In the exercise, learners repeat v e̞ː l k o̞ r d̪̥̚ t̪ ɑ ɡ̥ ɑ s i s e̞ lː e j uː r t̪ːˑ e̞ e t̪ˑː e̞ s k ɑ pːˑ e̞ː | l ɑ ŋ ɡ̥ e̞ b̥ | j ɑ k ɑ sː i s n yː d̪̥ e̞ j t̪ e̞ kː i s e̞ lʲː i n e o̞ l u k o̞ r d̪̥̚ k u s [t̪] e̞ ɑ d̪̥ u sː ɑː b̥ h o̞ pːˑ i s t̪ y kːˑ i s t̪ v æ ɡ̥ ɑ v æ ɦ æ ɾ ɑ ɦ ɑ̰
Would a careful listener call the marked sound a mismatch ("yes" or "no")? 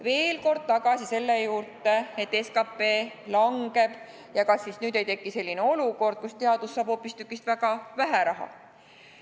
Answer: no